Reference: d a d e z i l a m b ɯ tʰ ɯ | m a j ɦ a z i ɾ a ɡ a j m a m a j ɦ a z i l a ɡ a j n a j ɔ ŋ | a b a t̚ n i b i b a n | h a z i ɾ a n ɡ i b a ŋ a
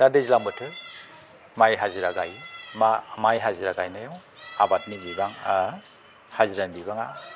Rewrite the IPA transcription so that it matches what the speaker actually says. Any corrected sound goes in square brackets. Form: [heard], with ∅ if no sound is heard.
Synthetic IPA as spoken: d a d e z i l a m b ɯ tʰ ɯ | m a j ɦ a z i ɾ a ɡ a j m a m a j ɦ a z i [ɾ] a ɡ a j n a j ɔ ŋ | a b a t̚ n i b i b a [ŋ] | h a z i ɾ a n [b] i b a ŋ a